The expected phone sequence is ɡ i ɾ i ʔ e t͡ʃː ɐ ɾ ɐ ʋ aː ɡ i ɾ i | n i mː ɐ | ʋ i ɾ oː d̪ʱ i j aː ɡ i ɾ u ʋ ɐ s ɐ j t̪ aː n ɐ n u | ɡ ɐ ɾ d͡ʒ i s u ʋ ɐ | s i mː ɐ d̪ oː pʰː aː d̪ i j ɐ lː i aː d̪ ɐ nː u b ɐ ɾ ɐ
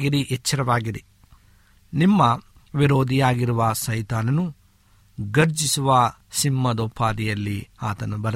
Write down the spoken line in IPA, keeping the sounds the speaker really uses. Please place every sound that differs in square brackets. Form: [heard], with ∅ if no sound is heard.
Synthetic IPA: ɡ i ɾ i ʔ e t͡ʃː ɐ ɾ ɐ ʋ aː ɡ i ɾ i | n i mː ɐ | ʋ i ɾ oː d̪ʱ i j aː ɡ i ɾ u ʋ ɐ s ɐ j t̪ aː n ɐ n u | ɡ ɐ ɾ d͡ʒ i s u ʋ ɐ | s i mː ɐ d̪ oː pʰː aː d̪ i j ɐ lː i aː [t̪] ɐ [n] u b ɐ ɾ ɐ